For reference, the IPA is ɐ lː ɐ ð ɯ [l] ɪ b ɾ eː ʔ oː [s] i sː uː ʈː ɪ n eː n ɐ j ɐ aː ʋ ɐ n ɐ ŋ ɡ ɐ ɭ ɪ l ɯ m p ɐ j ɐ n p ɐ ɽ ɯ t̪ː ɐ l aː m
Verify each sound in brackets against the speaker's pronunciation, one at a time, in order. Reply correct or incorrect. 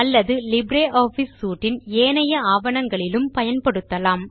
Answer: correct, incorrect: f

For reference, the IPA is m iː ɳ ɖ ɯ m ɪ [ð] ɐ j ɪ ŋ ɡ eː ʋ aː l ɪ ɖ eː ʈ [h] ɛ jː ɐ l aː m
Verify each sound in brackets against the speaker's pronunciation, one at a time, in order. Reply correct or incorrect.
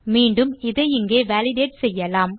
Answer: correct, incorrect: s

